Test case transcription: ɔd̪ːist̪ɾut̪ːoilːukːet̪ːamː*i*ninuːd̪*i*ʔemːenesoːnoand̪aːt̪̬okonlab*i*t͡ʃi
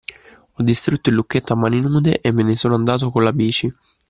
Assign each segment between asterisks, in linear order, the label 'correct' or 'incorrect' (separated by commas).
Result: incorrect, incorrect, incorrect